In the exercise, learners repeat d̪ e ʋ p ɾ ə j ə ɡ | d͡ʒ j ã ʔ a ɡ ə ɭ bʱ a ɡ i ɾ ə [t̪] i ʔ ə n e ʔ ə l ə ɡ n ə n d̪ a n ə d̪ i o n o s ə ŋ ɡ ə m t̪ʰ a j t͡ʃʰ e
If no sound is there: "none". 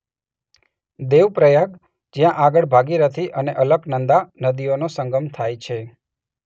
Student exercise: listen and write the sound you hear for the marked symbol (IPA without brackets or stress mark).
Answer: t̪ʰ